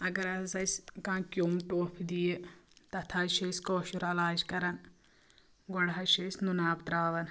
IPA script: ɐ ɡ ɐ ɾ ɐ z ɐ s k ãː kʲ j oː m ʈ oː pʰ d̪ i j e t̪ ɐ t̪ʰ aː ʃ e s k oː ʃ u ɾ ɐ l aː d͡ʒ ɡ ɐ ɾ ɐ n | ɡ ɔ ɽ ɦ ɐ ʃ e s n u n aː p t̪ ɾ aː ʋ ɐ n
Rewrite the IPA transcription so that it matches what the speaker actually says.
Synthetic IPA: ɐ ɡ ɐ ɾ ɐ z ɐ s k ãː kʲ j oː m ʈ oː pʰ d̪ i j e t̪ ɐ t̪ʰ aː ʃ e s k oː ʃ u ɾ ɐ l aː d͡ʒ k ɐ ɾ ɐ n | ɡ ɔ ɽ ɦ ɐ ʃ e s n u n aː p t̪ ɾ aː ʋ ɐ n